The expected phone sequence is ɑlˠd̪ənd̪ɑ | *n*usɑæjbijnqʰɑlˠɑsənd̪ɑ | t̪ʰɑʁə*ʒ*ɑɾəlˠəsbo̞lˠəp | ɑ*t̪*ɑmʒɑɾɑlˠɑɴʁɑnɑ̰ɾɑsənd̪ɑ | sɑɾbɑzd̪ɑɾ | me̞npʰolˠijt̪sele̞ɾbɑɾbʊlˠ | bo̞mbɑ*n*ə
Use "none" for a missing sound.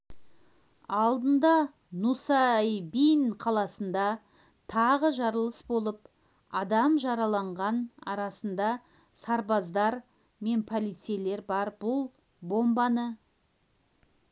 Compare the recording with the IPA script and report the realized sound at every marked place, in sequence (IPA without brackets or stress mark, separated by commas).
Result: n, ʒ, d̪, n